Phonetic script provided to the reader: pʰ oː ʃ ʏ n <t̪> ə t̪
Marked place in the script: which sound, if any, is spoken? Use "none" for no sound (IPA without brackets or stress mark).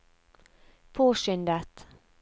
d̪